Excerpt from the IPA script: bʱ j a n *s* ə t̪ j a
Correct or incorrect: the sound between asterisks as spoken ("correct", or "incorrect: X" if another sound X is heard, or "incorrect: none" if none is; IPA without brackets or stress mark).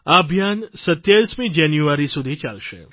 correct